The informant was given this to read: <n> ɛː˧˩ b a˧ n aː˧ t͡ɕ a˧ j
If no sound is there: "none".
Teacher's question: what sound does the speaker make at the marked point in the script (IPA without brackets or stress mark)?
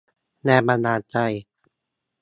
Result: n